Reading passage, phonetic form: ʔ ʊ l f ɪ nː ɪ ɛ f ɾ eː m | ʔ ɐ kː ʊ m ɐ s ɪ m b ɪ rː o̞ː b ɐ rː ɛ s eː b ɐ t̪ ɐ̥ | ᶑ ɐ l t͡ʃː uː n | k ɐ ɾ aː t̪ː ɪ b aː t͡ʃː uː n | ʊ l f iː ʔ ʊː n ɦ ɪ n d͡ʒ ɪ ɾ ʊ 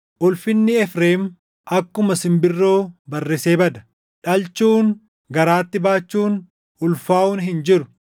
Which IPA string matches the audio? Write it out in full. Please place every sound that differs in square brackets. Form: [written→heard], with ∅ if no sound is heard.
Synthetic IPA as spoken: ʔ ʊ l f ɪ nː ɪ ɛ f ɾ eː m | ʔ ɐ kː ʊ m ɐ s ɪ m b ɪ rː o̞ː b ɐ rː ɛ s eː b ɐ [t̪→d̪] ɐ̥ | ᶑ ɐ l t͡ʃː uː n | [k→ɡ] ɐ ɾ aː t̪ː ɪ b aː t͡ʃː uː n | ʊ l f [iː→aː] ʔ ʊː n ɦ ɪ n d͡ʒ ɪ ɾ ʊ